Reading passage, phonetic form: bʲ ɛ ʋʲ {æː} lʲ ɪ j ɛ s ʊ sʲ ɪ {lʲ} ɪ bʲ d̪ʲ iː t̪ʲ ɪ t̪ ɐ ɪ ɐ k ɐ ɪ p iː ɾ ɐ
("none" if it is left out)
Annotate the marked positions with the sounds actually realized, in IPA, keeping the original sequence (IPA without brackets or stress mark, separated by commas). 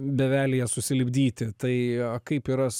æː, lʲ